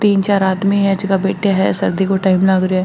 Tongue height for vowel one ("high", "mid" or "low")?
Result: high